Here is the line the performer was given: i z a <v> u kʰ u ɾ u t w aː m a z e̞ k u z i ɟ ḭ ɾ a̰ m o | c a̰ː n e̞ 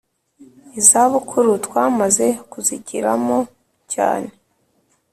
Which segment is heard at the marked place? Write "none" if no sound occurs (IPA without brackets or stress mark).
β